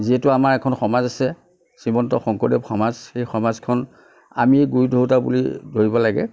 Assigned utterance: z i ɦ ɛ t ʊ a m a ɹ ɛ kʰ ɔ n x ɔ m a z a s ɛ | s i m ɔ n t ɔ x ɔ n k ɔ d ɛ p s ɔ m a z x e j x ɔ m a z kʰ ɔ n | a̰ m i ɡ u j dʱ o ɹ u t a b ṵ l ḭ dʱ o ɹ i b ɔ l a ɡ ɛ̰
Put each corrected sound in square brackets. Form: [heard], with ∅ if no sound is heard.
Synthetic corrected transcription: z i ɦ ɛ t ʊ a m a ɹ ɛ kʰ ɔ n x ɔ m a z a s ɛ | s i m ɔ n t ɔ x ɔ [ŋ] k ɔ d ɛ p [x] ɔ m a z x e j x ɔ m a z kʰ ɔ n | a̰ m i ɡ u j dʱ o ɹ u t a b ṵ l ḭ dʱ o ɹ i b ɔ l a ɡ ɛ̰